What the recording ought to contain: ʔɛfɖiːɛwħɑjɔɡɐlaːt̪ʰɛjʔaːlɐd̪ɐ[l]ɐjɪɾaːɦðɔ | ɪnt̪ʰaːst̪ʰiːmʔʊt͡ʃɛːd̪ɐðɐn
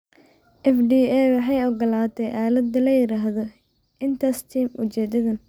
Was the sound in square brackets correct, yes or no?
yes